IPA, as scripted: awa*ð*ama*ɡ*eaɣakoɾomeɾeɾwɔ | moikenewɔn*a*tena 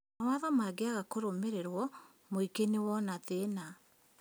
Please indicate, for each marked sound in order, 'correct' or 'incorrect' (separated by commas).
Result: correct, correct, correct